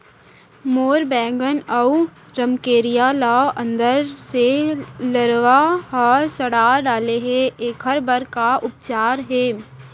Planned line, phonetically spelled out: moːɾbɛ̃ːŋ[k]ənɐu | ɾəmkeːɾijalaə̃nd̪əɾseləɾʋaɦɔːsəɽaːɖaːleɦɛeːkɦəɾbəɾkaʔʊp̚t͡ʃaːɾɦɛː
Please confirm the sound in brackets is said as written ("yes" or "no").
no